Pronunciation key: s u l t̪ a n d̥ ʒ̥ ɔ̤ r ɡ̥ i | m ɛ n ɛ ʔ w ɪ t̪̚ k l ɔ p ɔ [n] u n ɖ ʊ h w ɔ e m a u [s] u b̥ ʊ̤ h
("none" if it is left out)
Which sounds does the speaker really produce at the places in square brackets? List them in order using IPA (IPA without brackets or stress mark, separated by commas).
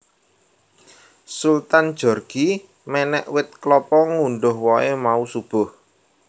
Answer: ŋ, s